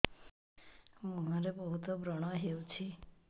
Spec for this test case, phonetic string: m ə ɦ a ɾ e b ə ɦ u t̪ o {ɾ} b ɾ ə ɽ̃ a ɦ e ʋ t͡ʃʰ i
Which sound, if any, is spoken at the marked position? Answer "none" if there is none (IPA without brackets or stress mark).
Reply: none